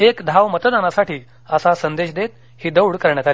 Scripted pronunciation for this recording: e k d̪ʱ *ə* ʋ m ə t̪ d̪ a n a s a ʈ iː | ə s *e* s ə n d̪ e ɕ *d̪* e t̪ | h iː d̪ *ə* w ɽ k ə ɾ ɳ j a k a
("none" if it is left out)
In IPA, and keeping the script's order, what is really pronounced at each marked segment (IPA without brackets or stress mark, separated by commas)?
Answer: a, a, d̪, ə